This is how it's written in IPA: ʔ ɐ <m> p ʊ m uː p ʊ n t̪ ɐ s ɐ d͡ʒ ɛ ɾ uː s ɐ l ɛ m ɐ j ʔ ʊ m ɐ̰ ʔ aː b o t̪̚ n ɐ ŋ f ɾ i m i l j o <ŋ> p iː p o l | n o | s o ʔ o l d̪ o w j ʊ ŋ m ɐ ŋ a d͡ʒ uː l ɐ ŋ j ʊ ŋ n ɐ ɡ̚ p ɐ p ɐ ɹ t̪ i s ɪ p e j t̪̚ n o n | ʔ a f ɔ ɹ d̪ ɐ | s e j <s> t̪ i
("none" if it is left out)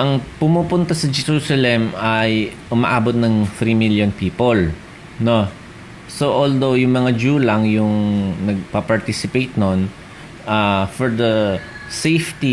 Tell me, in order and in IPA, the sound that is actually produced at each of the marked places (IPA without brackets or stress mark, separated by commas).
ŋ, n, f